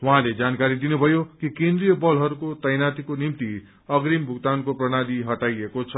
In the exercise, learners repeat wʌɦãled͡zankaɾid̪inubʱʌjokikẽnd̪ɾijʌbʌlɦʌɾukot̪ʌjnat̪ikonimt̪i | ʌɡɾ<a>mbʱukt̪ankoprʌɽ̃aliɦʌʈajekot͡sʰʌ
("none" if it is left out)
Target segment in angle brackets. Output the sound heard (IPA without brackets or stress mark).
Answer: i